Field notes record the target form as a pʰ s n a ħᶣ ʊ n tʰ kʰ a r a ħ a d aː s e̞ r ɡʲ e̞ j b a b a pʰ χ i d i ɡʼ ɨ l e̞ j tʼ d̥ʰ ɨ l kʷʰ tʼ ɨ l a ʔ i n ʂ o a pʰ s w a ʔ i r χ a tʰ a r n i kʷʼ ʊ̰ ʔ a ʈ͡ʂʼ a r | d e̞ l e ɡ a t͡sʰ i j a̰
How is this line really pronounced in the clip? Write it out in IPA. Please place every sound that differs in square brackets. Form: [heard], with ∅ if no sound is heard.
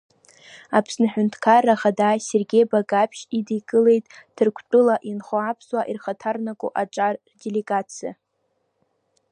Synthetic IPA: a pʰ s n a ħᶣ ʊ n tʰ kʰ a r a [χ] a d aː s e̞ r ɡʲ e̞ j b a [ɡ] a pʰ [ʃ] i d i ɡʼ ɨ l e̞ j tʼ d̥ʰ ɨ [r] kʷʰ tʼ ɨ l a ʔ i n [χ] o a pʰ s w a ʔ i r χ a tʰ a r n [a] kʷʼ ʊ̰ ʔ a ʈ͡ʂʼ a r | d e̞ l e ɡ a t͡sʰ i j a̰